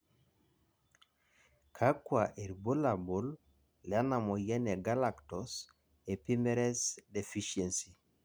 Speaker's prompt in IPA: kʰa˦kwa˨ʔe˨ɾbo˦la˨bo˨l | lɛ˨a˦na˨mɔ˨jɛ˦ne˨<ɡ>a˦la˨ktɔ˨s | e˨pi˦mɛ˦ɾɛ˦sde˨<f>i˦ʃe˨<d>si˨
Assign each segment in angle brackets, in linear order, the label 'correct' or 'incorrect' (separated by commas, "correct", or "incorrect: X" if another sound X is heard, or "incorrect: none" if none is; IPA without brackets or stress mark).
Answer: correct, correct, incorrect: n